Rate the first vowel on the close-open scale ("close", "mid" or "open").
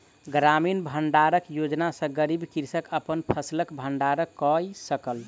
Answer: open